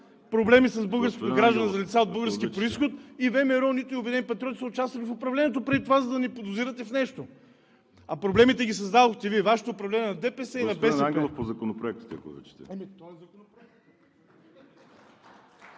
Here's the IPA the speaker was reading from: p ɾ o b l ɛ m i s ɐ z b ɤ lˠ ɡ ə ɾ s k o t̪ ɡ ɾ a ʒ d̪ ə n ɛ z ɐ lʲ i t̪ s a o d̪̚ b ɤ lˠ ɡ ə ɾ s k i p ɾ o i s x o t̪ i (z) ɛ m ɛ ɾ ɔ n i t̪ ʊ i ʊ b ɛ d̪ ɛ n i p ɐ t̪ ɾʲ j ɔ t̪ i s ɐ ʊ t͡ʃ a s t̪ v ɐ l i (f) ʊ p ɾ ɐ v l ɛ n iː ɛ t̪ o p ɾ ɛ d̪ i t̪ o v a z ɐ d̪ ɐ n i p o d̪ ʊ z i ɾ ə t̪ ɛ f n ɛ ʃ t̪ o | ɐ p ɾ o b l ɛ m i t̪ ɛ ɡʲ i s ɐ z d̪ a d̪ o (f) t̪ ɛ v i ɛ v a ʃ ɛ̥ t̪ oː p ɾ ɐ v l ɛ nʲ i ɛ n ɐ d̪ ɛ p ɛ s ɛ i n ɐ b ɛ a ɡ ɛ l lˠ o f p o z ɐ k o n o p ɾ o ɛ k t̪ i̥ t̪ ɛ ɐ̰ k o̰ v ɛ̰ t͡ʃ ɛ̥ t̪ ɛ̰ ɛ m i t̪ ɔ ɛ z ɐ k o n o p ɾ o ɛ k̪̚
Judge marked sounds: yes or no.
no, yes, no

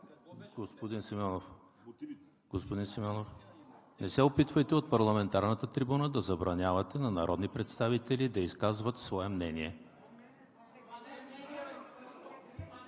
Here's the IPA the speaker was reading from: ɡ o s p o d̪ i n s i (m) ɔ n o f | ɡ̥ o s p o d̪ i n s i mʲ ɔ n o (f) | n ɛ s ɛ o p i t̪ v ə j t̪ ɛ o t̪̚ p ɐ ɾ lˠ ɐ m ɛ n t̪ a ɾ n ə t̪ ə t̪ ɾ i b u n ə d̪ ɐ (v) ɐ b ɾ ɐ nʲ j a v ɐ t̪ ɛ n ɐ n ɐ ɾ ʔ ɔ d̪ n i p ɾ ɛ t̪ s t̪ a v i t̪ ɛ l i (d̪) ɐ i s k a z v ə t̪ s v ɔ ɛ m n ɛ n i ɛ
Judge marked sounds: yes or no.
yes, yes, no, yes

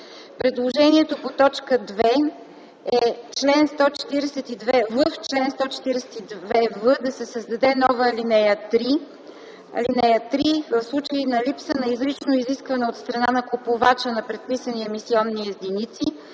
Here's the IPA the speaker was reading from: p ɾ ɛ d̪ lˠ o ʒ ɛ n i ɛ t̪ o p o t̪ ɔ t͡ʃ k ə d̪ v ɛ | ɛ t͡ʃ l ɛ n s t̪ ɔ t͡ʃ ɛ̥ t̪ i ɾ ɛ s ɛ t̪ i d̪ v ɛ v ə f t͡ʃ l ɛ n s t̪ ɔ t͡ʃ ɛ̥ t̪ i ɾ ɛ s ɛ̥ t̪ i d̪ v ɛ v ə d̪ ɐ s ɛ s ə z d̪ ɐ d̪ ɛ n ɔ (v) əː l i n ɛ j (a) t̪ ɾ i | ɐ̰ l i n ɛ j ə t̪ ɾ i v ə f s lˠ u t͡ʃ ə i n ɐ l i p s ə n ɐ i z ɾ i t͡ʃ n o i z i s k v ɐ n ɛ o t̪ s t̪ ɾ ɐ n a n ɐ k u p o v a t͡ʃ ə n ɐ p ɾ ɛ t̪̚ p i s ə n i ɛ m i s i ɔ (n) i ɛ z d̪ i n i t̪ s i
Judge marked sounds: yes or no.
yes, no, no

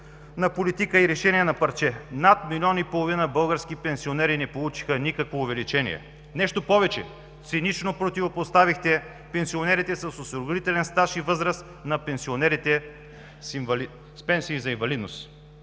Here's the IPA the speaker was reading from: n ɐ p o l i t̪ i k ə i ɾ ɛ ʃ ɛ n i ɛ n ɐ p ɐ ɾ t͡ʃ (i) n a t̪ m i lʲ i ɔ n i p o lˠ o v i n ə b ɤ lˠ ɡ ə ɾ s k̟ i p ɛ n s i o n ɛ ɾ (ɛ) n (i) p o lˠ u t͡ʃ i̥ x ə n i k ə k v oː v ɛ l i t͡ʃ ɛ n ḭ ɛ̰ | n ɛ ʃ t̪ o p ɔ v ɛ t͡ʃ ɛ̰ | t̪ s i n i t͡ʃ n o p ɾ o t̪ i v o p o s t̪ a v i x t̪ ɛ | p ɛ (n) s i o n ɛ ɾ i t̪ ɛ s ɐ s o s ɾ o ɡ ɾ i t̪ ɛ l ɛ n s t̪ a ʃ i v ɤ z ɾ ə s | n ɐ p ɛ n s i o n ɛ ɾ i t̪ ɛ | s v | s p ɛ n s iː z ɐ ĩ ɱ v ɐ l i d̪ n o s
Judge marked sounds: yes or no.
no, no, no, yes

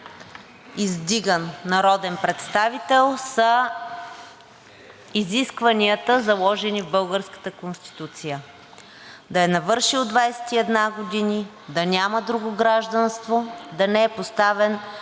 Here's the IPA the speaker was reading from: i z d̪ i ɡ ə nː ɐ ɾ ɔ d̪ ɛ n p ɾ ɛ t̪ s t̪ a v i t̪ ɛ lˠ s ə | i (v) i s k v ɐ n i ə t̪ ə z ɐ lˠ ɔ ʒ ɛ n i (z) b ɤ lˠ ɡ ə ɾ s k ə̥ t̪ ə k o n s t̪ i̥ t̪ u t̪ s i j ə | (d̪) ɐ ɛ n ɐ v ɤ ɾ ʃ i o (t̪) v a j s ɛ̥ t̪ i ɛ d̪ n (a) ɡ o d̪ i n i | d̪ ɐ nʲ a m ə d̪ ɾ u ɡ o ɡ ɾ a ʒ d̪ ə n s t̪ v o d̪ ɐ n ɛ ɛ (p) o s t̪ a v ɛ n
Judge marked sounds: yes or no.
no, no, yes, no, yes, yes

